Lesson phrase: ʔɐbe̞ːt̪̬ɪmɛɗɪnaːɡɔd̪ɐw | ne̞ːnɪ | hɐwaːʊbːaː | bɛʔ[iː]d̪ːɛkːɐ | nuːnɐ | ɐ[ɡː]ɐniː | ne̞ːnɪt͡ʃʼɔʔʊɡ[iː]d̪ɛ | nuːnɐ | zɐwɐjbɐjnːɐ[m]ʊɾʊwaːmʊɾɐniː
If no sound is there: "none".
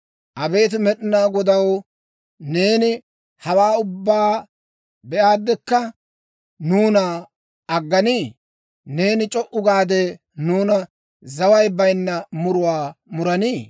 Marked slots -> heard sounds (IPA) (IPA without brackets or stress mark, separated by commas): aː, ɡː, aː, m